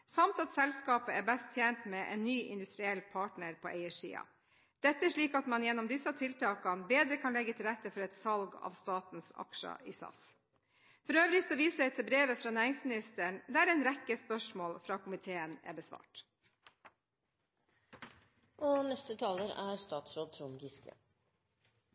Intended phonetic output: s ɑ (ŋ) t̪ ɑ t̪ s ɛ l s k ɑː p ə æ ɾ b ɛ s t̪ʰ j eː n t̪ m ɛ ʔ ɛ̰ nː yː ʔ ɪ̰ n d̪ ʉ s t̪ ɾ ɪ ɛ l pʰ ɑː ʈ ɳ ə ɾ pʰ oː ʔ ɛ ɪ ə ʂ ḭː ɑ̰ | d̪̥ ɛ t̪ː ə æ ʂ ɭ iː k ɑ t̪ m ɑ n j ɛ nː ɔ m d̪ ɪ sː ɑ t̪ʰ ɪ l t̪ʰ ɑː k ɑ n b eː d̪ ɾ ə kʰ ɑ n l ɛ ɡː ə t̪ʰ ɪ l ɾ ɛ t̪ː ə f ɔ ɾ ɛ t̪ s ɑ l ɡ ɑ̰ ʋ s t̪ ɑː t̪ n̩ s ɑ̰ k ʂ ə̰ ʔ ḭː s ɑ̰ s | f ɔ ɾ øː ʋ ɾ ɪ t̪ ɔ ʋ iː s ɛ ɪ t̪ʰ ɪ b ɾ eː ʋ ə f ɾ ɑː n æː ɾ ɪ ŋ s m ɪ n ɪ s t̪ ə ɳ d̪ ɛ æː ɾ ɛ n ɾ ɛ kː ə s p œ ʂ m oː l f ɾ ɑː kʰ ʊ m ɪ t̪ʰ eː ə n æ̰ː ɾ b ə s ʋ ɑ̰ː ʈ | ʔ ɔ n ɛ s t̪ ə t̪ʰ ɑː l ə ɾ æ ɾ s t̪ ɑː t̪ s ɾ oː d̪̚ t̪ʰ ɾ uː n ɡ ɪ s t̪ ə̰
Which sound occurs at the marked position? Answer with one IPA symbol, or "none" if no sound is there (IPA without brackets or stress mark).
m